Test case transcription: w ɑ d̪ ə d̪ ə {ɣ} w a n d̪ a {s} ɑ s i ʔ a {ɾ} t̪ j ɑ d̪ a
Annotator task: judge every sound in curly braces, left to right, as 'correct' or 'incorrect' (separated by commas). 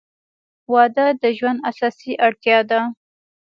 incorrect, correct, incorrect